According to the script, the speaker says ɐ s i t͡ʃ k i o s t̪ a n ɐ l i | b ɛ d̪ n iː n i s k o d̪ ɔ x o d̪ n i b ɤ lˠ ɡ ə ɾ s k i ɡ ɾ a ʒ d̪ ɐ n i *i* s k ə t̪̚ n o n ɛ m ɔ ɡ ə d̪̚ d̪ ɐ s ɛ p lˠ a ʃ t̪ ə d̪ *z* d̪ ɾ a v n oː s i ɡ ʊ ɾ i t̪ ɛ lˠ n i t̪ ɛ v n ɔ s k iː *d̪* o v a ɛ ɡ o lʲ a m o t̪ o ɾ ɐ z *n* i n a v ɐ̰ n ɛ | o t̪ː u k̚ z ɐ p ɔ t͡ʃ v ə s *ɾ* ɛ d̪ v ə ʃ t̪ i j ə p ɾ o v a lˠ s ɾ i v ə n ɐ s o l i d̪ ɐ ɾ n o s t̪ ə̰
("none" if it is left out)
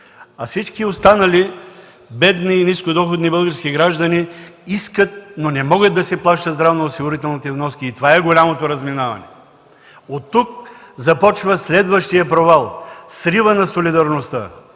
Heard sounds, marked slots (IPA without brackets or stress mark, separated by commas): i, z, t̪, m, l